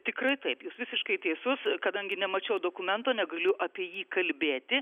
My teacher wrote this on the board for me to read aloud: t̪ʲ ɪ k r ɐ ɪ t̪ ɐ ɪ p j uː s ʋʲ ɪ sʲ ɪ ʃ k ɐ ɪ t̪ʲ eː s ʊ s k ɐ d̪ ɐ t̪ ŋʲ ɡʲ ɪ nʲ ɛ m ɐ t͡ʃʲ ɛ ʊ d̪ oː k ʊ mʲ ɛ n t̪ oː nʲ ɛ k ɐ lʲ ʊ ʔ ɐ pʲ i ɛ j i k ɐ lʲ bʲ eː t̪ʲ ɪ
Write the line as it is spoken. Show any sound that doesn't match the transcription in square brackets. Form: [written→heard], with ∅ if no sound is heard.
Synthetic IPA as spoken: t̪ʲ ɪ k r ɐ ɪ t̪ ɐ ɪ p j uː s ʋʲ ɪ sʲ ɪ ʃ k ɐ ɪ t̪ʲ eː s ʊ s k ɐ d̪ ɐ [t̪→∅] ŋʲ ɡʲ ɪ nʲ ɛ m ɐ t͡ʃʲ ɛ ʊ d̪ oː k ʊ mʲ ɛ n t̪ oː nʲ ɛ [k→ɡ] ɐ lʲ ʊ ʔ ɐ pʲ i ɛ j [i→iː] k ɐ lʲ bʲ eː t̪ʲ ɪ